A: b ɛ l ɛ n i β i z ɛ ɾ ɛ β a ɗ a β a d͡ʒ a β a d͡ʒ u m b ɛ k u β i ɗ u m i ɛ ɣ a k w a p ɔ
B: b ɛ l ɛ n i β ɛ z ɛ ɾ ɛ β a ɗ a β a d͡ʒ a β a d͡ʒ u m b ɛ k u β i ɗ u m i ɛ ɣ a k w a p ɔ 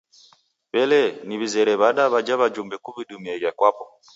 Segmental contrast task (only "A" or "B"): A